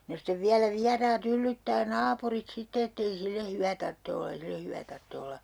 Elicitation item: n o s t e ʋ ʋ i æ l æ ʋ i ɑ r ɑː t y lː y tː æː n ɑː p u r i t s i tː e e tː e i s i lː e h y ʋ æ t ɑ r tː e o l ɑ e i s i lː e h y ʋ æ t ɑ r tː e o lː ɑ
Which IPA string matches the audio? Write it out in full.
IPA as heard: n o s t e ʋ ʋ i æ l æ ʋ i ɑ r ɑː t y lː y tː æː n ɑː p u r i t s i tː e e tː e i s i lː e h y ʋ æ t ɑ r tː e o lː ɑ e i s i lː e h y ʋ æ t ɑ r tː e o lː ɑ